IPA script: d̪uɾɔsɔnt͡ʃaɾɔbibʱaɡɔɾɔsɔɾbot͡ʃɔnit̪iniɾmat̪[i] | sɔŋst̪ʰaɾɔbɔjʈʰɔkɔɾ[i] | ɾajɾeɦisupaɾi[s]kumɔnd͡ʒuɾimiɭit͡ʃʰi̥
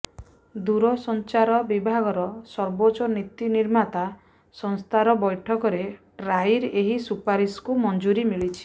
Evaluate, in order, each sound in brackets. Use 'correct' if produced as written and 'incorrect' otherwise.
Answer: incorrect, incorrect, correct

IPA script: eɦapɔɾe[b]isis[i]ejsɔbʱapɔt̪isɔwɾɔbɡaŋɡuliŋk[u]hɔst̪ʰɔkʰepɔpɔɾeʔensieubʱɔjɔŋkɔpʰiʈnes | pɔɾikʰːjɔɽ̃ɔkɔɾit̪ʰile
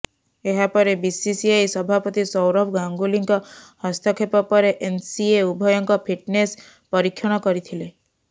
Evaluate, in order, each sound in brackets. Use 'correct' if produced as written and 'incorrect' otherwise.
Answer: correct, correct, incorrect

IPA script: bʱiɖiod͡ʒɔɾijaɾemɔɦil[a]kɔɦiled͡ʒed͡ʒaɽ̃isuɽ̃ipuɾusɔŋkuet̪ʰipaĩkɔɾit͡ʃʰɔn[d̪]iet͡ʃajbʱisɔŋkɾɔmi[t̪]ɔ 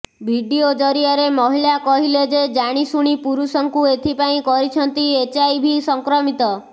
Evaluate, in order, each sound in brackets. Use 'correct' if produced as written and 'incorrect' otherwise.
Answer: correct, incorrect, correct

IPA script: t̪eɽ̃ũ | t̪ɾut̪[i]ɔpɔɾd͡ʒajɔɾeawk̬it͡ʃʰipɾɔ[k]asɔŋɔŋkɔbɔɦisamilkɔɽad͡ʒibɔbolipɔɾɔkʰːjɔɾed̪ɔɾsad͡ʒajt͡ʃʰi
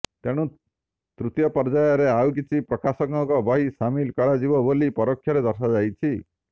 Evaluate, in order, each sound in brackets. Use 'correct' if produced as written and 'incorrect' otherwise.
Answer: incorrect, correct

